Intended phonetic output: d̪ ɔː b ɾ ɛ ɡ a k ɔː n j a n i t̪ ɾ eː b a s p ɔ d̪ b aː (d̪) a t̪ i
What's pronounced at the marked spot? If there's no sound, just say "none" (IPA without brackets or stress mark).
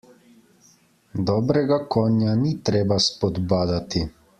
d̪